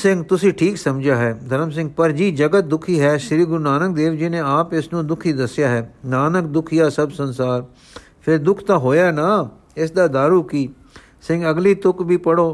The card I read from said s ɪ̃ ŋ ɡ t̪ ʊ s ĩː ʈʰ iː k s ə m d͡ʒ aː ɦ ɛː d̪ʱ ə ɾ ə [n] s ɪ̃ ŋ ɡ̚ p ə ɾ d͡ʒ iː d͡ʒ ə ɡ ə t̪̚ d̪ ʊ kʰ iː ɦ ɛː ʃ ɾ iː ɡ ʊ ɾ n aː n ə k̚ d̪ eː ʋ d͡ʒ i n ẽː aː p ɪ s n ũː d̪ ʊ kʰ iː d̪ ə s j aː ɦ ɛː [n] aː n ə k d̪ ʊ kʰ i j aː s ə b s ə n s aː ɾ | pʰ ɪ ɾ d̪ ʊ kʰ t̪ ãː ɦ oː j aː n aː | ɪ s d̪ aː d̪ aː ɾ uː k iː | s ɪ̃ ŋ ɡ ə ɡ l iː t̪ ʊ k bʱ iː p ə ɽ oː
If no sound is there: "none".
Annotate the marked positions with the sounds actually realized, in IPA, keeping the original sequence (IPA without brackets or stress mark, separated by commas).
m, n